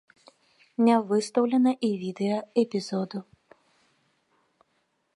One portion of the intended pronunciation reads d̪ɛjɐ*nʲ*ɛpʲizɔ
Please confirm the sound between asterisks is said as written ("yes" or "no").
no